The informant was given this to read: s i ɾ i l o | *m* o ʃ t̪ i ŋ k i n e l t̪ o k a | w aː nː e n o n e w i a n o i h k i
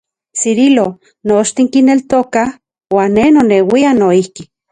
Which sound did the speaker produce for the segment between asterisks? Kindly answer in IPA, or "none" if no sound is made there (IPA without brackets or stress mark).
n